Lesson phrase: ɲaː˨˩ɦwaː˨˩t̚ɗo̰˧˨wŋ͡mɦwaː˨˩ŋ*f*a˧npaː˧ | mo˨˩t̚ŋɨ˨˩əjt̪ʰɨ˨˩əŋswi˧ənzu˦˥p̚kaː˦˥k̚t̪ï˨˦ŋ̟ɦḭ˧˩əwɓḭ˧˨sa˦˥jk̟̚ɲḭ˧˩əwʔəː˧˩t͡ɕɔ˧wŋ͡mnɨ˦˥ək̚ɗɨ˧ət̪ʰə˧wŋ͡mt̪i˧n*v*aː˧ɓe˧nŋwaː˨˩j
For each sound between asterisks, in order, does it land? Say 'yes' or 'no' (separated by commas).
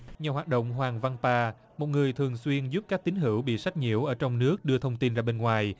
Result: no, no